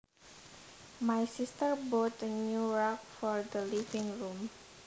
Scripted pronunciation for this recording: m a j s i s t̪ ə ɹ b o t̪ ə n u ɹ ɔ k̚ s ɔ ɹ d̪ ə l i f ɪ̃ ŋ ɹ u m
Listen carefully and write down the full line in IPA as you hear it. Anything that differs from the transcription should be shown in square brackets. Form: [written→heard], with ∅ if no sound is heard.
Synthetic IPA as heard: m a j s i s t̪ ə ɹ b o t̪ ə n u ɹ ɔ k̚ [s→f] ɔ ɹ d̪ ə l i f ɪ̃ ŋ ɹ u m